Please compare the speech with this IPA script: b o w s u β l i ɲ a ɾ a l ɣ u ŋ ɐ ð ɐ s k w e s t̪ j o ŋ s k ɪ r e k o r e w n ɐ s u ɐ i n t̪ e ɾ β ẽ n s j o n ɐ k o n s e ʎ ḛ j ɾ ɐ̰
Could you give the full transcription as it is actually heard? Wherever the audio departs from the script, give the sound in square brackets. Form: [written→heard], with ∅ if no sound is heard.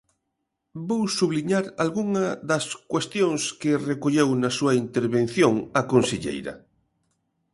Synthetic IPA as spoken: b o w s u β l i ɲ a ɾ a l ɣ u ŋ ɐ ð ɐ s k w e s t̪ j o ŋ s k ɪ r e k o [r→ʎ] e w n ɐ s u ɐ i n t̪ e ɾ β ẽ n [s→θ] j o [n→ŋ] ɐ k o n s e ʎ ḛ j ɾ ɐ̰